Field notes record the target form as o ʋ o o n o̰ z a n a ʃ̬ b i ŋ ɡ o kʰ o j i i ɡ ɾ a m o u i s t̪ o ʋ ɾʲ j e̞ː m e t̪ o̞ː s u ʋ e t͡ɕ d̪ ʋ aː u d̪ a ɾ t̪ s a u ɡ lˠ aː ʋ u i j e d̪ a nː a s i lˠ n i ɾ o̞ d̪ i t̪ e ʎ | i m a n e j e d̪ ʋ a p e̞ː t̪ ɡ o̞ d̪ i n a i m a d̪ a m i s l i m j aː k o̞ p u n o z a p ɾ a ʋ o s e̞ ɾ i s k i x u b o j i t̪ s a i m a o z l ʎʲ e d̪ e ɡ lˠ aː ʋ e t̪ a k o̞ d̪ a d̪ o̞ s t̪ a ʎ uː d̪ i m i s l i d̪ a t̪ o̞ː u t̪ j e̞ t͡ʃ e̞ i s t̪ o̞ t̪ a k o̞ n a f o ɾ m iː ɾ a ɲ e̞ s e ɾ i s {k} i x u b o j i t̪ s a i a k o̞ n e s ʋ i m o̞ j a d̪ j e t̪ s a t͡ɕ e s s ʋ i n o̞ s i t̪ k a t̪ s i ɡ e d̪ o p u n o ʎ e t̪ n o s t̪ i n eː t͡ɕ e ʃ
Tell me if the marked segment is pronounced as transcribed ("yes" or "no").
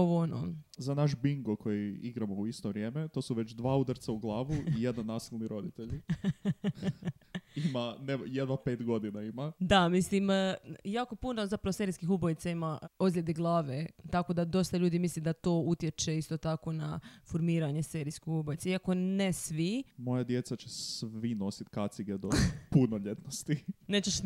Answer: yes